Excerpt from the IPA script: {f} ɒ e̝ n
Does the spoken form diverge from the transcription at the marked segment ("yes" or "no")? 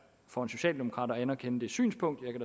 no